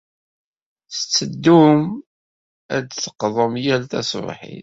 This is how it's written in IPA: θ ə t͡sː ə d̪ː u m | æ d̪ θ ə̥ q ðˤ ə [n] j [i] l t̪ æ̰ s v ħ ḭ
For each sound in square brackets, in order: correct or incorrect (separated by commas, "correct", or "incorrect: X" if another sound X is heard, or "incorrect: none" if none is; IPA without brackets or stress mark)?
incorrect: m, incorrect: æ